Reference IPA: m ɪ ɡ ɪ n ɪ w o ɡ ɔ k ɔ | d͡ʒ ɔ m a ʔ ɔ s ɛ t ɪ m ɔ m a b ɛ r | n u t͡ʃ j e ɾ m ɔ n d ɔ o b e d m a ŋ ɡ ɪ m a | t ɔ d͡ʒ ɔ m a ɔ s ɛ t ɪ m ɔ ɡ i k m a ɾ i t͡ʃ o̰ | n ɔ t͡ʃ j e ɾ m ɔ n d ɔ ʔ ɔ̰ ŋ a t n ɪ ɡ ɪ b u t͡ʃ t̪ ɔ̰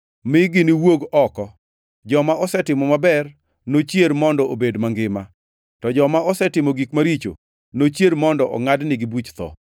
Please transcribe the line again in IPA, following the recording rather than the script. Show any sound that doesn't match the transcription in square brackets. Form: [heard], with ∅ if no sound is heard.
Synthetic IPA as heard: m ɪ ɡ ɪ n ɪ w o ɡ ɔ k ɔ | d͡ʒ ɔ m a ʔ ɔ s ɛ t ɪ m ɔ m a b ɛ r | n [o] t͡ʃ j e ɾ m ɔ n d ɔ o b e d m a ŋ ɡ ɪ m a | t ɔ d͡ʒ ɔ m a ɔ s ɛ t ɪ m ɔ ɡ i k m a ɾ i t͡ʃ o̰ | n [o] t͡ʃ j e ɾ m ɔ n d ɔ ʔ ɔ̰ ŋ a [d] n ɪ ɡ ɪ b u t͡ʃ t̪ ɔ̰